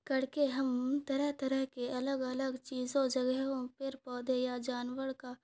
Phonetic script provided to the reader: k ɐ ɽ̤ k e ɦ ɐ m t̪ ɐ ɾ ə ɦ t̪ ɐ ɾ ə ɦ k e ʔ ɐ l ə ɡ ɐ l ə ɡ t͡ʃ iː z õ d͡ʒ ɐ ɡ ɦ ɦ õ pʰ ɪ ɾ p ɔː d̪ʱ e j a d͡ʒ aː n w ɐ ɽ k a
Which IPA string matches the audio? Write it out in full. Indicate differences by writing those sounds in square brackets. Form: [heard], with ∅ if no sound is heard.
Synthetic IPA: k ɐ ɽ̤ k e ɦ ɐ m t̪ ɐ ɾ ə ɦ t̪ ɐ ɾ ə ɦ k e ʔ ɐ l ə ɡ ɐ l ə ɡ t͡ʃ iː z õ d͡ʒ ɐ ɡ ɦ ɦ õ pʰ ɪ ɾ p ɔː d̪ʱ e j a d͡ʒ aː n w [ə] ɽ k a